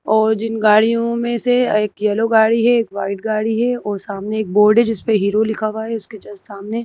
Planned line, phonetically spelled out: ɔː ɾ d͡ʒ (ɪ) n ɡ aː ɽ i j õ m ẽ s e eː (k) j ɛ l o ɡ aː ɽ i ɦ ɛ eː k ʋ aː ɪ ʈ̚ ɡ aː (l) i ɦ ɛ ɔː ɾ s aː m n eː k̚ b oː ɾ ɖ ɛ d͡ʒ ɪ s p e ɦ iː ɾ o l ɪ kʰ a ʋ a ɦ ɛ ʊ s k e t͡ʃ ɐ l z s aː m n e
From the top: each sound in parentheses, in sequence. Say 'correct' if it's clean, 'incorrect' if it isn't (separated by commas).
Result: correct, correct, incorrect